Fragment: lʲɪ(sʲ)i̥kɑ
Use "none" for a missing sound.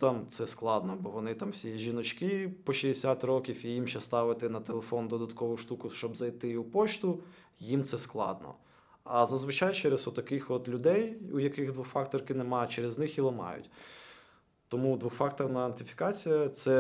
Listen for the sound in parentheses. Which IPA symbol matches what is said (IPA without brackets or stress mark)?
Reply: fʲ